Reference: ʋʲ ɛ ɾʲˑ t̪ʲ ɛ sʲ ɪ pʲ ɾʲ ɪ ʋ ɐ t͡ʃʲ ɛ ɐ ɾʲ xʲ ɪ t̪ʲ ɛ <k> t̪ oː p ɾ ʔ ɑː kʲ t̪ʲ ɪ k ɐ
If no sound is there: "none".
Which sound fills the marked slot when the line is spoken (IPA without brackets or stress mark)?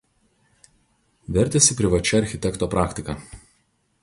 k